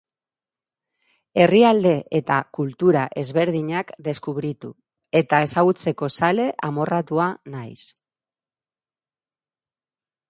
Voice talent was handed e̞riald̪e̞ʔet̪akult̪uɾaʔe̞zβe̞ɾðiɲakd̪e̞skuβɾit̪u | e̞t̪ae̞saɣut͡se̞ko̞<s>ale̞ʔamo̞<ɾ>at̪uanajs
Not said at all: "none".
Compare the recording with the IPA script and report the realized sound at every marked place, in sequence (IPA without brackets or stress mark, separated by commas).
s, r